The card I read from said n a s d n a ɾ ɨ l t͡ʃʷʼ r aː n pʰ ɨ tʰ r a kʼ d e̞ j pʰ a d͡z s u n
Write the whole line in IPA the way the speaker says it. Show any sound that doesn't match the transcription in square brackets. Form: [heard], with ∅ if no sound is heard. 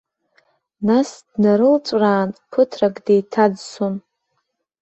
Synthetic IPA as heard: n a s d n a ɾ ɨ l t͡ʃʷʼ r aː n pʰ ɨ tʰ r a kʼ d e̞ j [tʰ] a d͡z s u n